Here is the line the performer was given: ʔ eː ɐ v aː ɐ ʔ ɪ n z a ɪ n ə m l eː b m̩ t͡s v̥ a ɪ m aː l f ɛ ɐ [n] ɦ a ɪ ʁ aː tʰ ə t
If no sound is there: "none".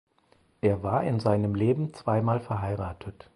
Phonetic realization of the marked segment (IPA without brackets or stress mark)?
none